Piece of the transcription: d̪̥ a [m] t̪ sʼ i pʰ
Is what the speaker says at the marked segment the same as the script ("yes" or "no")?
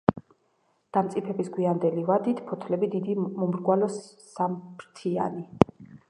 yes